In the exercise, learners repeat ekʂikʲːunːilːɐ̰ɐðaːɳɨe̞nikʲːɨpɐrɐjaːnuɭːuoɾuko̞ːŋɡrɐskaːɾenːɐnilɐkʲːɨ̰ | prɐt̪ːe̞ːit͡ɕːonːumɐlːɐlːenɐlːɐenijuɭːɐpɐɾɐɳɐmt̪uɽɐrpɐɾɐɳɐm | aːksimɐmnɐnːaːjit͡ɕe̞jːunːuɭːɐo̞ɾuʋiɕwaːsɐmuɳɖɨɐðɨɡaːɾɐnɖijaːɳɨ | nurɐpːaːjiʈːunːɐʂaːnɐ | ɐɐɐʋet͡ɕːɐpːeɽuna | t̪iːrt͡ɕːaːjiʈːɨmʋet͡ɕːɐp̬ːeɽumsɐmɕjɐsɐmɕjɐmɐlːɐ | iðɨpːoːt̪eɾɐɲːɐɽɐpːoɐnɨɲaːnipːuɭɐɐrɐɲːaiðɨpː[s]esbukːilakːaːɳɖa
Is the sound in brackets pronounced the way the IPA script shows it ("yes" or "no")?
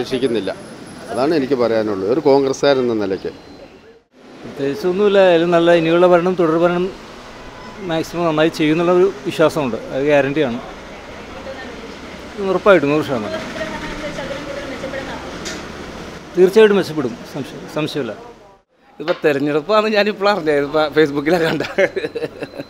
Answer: no